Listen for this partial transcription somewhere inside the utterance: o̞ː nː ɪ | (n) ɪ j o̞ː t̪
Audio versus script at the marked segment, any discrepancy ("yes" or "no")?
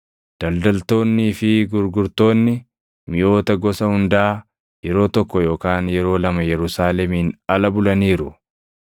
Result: yes